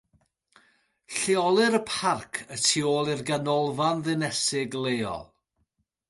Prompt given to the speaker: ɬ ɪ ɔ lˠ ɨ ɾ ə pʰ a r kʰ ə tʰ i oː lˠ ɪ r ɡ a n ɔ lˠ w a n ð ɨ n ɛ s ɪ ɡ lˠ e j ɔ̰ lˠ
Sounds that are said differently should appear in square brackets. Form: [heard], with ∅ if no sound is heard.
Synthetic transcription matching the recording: ɬ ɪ ɔ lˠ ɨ ɾ ə pʰ a r kʰ ə tʰ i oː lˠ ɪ r ɡ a n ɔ lˠ [v] a n ð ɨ n ɛ s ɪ ɡ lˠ e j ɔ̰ lˠ